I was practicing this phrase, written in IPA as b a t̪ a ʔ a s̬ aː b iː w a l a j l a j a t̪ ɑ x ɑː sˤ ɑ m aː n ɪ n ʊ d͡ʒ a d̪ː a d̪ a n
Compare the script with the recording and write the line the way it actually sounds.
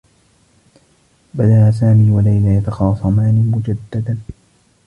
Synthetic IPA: b a d̪ a ʔ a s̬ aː m iː w a l a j l a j a t̪ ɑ x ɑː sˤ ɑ m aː n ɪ m ʊ d͡ʒ a d̪ː a d̪ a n